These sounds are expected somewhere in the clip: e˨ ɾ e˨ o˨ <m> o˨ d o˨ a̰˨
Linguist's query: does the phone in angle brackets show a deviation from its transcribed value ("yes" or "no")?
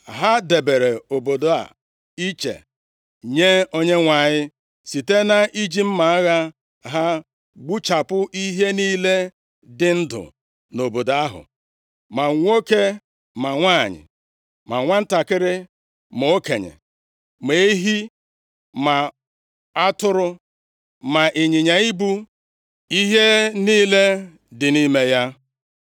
yes